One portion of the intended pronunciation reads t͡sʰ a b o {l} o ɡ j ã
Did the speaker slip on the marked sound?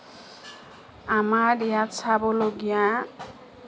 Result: no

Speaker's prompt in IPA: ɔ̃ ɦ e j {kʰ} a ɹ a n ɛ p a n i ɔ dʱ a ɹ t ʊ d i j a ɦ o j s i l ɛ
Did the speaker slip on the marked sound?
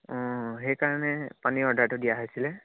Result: yes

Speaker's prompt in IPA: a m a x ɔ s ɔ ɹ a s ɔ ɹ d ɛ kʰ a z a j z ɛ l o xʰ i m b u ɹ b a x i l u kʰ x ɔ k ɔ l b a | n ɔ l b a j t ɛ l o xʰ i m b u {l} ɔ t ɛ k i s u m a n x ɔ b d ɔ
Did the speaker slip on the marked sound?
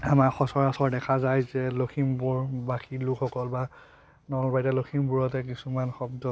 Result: yes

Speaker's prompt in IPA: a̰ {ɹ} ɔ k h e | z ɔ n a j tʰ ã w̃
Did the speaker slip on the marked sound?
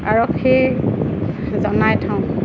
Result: no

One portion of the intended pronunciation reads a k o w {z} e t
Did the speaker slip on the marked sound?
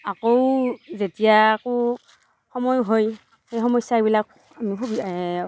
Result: no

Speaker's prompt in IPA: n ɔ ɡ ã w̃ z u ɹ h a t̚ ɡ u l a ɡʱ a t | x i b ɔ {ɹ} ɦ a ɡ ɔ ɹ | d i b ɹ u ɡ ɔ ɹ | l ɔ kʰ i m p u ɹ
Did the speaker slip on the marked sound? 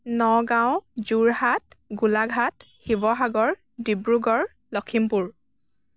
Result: yes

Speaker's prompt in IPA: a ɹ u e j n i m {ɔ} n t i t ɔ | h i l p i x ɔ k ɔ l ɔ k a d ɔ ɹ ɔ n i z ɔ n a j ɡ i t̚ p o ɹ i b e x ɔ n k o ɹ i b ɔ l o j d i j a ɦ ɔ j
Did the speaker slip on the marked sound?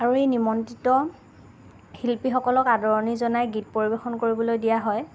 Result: no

